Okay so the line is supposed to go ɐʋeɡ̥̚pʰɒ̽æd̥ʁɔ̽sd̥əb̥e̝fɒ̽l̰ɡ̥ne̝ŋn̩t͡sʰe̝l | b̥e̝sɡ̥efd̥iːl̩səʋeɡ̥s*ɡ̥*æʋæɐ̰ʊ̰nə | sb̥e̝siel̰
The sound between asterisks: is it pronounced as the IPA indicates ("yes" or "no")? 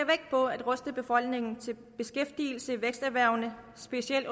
no